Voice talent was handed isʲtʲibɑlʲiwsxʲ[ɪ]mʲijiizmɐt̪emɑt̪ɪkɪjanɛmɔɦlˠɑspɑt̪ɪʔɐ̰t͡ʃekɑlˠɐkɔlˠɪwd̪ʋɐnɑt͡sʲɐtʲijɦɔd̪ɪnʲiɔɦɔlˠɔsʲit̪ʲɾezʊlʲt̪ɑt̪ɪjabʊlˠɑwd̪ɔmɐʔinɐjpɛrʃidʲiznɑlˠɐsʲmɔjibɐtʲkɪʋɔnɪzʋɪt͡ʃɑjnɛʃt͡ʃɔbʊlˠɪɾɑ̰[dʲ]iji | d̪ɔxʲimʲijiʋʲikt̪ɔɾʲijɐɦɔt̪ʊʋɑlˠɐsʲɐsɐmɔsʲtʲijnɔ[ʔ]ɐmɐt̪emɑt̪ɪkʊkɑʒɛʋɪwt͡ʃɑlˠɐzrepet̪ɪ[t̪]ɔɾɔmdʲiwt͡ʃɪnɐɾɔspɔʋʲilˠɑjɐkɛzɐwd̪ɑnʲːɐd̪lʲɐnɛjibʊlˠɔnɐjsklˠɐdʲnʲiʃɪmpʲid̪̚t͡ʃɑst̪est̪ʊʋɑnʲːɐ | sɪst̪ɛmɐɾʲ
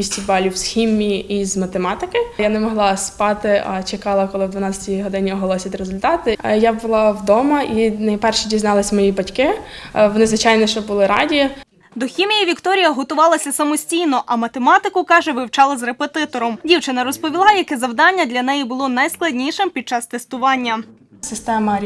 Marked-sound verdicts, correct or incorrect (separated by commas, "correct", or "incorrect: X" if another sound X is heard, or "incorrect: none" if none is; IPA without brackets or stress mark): incorrect: i, correct, correct, correct